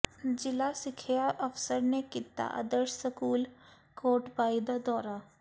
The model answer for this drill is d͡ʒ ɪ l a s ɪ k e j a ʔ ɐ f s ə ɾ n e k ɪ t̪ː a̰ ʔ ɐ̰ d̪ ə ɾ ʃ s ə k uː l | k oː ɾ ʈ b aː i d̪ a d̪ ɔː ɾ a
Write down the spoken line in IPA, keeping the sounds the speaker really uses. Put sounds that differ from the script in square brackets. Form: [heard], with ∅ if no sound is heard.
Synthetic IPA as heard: d͡ʒ ɪ l a s ɪ [kʰ] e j a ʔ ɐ f s ə ɾ n e k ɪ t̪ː a̰ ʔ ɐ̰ d̪ ə ɾ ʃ s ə k uː l | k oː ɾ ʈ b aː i d̪ a d̪ ɔː ɾ a